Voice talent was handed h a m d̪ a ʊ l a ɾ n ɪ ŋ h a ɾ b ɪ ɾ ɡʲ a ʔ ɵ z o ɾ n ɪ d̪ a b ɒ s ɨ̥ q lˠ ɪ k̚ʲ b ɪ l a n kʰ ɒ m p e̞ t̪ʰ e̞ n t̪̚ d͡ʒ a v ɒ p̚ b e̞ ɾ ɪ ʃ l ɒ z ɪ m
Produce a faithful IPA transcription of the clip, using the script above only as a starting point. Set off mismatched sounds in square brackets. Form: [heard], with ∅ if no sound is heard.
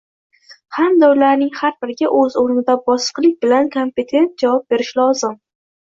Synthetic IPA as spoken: h a m d̪ a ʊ l a ɾ n ɪ ŋ h a ɾ b ɪ ɾ ɡʲ a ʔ ɵ z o ɾ n ɪ d̪ a b ɒ s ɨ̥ q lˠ ɪ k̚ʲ b ɪ l a n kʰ [o] m p e̞ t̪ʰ e̞ n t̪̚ d͡ʒ a v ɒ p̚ b e̞ ɾ ɪ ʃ l ɒ z ɪ m